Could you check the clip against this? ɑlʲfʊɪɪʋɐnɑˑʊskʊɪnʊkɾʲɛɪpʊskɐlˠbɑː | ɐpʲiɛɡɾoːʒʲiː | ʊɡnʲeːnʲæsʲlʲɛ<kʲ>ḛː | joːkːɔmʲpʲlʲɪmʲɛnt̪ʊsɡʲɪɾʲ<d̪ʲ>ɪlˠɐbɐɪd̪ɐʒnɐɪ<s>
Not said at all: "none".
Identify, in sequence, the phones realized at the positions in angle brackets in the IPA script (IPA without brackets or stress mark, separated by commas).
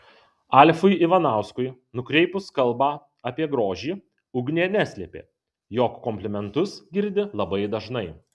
pʲ, d̪ʲ, none